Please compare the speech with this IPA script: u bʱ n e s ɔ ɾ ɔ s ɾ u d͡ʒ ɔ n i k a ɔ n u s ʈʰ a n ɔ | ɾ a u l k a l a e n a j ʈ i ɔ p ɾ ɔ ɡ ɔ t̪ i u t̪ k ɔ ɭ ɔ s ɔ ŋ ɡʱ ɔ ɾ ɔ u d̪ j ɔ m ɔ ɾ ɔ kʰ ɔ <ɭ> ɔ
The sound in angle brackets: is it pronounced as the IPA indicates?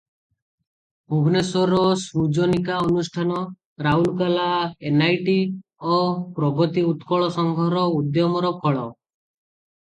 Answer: yes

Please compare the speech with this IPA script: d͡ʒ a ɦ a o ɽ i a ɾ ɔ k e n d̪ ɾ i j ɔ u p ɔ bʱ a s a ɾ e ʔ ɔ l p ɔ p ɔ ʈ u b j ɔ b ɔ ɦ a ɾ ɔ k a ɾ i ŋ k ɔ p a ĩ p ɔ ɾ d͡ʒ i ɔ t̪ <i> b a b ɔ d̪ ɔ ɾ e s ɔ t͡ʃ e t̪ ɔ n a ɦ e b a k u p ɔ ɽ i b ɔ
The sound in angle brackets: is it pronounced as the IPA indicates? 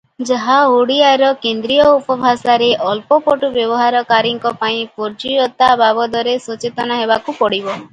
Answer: no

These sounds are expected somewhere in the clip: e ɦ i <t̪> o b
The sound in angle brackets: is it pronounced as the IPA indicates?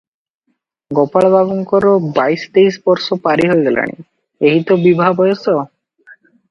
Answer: yes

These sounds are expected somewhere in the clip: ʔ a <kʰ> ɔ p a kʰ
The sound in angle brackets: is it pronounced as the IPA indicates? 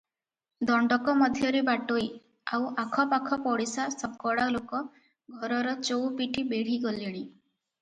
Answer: yes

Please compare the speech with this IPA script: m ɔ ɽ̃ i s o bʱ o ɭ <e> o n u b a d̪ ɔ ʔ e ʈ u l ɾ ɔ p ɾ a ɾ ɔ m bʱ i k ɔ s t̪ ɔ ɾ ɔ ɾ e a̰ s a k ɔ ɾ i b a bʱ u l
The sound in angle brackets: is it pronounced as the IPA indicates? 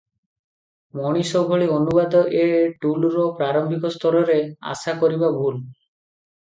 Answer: no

